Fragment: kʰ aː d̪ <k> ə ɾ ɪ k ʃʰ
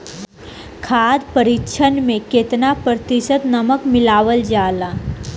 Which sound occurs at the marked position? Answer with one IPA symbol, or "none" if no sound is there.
p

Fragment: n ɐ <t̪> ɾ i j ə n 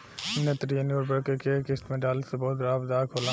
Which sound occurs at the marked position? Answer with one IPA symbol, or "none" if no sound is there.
t̪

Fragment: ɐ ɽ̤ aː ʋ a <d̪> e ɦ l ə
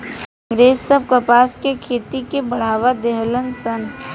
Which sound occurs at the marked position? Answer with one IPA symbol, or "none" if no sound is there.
d̪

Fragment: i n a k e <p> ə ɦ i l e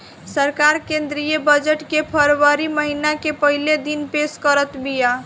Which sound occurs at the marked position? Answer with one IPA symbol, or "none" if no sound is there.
p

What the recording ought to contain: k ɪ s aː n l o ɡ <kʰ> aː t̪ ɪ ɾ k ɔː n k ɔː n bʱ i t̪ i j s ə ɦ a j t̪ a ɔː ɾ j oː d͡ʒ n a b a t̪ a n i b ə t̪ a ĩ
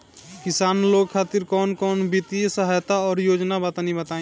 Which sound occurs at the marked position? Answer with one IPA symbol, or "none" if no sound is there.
kʰ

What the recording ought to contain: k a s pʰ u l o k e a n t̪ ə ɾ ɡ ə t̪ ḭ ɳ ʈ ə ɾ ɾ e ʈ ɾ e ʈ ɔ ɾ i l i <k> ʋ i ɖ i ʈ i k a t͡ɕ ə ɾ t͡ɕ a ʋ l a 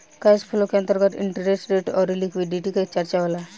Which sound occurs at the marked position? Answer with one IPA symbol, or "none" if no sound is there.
k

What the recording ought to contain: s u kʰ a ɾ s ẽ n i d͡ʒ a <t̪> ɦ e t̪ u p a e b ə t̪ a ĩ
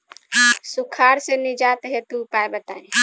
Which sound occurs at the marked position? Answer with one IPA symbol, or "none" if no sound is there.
t̪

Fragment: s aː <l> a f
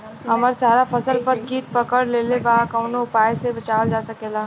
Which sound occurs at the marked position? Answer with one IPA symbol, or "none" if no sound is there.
ɾ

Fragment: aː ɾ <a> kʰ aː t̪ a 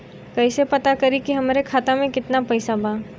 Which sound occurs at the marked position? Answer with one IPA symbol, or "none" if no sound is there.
e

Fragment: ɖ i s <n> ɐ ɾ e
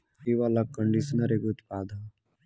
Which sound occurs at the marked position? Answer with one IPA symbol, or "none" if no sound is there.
n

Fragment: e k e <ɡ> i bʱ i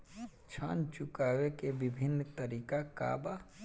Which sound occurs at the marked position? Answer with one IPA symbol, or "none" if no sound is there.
b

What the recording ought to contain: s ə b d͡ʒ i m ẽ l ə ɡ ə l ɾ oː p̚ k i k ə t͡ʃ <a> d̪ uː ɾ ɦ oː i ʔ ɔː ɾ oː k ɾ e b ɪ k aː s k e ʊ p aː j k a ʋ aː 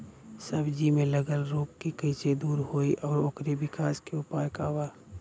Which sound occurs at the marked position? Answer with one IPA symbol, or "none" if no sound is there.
e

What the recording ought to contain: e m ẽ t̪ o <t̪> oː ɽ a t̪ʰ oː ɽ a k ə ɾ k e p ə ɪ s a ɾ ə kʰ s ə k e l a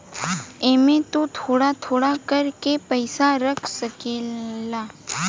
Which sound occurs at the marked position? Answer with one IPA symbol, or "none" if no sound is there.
t̪ʰ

